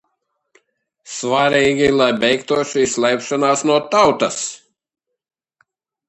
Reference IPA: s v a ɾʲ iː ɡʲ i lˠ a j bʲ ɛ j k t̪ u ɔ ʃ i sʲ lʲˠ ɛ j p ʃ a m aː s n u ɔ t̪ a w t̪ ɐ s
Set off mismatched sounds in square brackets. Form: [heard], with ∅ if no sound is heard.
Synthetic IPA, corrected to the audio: s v a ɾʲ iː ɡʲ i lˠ a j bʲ ɛ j k t̪ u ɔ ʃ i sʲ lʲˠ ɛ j p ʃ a [n] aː s n u ɔ t̪ a w t̪ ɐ s